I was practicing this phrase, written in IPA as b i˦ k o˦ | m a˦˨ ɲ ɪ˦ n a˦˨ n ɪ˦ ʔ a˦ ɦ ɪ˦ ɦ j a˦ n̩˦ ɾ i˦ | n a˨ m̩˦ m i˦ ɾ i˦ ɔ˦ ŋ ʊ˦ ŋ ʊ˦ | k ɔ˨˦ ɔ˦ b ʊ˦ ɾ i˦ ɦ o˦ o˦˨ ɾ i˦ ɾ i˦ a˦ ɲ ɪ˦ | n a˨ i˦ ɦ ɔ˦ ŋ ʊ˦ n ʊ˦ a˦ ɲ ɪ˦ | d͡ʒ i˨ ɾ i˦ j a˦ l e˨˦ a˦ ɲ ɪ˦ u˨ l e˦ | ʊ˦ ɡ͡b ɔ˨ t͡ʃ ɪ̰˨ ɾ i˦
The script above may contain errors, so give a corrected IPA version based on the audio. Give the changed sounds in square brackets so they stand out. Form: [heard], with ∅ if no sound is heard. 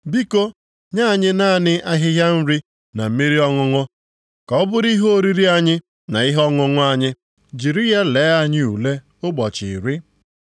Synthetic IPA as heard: b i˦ k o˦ | [ɲ] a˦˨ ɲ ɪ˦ n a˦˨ n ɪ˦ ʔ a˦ ɦ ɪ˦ ɦ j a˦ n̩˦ ɾ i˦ | n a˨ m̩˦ m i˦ ɾ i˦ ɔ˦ ŋ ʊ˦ ŋ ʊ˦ | k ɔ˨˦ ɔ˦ b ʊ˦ ɾ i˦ ɦ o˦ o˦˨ ɾ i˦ ɾ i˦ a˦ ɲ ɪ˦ | n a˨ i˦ ɦ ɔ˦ ŋ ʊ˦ [ŋ] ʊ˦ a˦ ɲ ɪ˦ | d͡ʒ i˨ ɾ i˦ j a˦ l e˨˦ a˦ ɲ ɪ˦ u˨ l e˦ | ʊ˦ ɡ͡b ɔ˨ t͡ʃ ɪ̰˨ ɾ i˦